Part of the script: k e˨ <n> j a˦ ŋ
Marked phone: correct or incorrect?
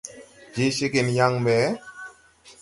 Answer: correct